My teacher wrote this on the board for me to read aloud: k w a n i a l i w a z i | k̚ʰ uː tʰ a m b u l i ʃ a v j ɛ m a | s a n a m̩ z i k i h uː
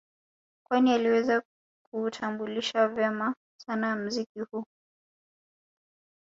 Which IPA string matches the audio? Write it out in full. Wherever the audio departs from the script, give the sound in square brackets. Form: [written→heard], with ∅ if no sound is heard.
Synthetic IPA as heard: k w a n i a l i w [a→ɛ] z [i→a] | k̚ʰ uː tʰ a m b u l i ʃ a v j ɛ m a | s a n a m̩ z i k i h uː